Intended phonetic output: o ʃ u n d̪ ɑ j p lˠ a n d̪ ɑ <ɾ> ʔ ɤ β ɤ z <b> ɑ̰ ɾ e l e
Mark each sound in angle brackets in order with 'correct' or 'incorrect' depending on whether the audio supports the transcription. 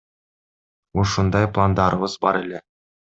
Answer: correct, correct

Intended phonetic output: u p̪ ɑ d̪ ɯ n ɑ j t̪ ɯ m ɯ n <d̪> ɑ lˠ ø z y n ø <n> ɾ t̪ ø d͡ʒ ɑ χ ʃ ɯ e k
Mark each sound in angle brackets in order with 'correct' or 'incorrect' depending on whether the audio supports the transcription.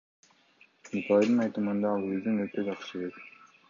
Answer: correct, incorrect: none

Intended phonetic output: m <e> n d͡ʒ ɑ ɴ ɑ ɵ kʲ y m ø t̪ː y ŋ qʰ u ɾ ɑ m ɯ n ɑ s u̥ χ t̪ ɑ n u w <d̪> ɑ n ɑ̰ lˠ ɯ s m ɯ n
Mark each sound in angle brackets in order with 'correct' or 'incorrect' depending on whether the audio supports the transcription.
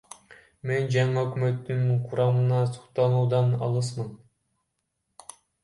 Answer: correct, correct

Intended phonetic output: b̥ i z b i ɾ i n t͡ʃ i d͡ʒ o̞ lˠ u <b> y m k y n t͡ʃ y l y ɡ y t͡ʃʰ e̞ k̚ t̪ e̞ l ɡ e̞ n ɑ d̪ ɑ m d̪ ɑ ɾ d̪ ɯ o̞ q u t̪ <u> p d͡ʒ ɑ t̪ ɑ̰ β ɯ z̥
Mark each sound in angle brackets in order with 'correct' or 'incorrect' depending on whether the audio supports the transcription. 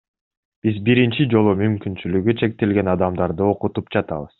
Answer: incorrect: m, correct

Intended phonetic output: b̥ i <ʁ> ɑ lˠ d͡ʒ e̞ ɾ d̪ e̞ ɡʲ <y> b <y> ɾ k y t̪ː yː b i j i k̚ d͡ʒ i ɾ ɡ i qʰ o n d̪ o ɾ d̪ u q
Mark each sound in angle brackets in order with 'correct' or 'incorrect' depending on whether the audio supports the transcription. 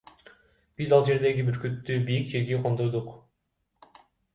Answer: incorrect: z, incorrect: i, correct

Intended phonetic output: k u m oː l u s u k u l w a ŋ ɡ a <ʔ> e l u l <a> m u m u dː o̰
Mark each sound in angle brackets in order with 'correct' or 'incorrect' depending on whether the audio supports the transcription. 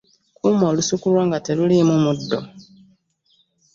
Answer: incorrect: t, incorrect: i

